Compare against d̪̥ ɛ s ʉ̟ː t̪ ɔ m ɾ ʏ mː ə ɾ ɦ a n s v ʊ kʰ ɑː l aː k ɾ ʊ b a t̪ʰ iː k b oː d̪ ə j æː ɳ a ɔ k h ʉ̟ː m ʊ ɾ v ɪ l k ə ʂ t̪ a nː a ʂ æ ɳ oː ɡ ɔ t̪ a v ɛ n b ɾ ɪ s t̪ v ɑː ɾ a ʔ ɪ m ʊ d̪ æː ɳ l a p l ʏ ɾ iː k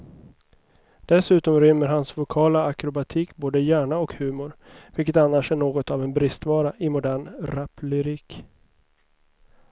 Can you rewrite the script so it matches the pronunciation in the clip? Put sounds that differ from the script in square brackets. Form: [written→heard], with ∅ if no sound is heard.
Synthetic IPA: d̪̥ ɛ s ʉ̟ː t̪ ɔ m ɾ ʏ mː ə ɾ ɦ a n s v ʊ kʰ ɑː l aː k ɾ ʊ b a t̪ʰ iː k b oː d̪ ə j æː ɳ a ɔ k h ʉ̟ː m ʊ ɾ v ɪ l k ə [ʂ→∅] t̪ a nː a ʂ æ ɳ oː ɡ ɔ t̪ a v ɛ n b ɾ ɪ s t̪ v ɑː ɾ a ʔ ɪ m ʊ d̪ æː ɳ [l→ɾ] a p l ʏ ɾ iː k